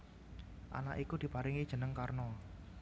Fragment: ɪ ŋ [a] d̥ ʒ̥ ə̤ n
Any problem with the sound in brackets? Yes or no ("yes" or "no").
yes